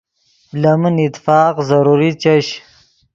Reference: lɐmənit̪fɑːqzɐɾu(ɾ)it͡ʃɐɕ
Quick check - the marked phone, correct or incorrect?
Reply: correct